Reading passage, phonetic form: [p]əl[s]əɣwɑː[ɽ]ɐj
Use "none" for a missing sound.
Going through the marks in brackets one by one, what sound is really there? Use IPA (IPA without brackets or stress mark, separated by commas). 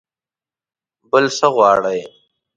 b, s, ɽ